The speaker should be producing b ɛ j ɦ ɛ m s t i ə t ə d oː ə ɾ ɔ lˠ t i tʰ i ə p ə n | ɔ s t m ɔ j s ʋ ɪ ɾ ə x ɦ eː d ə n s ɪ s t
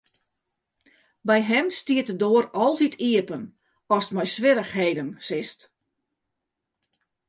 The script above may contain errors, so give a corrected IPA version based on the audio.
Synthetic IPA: b ɛ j ɦ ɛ m s t i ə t ə d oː ə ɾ ɔ lˠ t i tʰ i ə p ə n | ɔ s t m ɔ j s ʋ ɪ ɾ ə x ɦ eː d ə n s ɪ s t